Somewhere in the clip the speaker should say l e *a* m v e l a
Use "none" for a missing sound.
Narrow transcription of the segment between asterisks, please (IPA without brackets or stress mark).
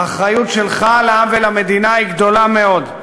a